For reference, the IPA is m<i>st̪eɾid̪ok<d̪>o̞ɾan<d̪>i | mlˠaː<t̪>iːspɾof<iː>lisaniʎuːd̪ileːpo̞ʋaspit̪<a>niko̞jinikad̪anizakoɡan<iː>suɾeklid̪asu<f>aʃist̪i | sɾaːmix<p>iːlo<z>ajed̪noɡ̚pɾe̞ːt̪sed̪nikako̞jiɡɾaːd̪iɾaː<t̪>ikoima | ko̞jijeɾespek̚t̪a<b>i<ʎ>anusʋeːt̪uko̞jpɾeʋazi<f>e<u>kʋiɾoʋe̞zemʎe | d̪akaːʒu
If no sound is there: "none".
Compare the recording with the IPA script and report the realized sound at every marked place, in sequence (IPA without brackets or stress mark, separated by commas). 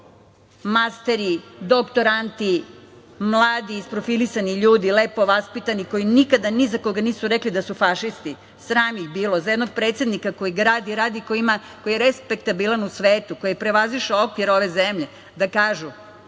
a, t̪, t̪, d̪, i, a, iː, f, b, z, d̪, b, l, ʃ, o